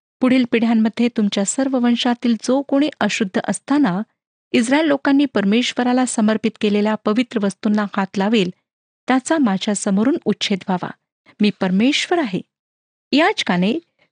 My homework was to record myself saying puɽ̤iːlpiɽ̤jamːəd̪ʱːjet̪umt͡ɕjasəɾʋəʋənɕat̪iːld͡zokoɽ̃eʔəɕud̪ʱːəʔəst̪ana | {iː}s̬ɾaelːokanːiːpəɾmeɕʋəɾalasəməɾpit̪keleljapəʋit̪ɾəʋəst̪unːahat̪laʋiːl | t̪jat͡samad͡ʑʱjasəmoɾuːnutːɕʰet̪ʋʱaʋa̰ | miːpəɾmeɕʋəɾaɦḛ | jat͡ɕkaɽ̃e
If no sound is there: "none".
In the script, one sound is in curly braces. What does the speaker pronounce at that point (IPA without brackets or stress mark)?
i